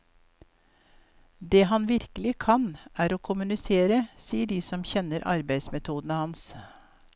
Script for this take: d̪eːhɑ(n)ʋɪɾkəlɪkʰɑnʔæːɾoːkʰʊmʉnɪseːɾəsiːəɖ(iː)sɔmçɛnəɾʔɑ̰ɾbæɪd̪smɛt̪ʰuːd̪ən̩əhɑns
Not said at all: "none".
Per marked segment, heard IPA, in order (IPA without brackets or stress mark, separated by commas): n, iː